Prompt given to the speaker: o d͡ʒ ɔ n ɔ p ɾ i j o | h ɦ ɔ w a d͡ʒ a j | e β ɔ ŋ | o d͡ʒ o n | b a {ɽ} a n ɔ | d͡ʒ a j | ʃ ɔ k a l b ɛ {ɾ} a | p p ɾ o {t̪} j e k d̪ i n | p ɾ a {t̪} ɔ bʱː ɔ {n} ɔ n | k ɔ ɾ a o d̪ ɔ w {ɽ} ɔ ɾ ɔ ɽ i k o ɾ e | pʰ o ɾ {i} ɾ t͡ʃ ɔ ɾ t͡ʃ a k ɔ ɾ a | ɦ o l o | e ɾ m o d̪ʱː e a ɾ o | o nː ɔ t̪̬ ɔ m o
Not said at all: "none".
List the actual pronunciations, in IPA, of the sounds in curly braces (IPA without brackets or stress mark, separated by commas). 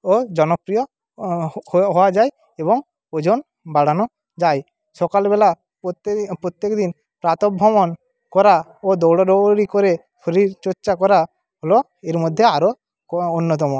ɽ, l, t̪, t̪, m, ɽ, i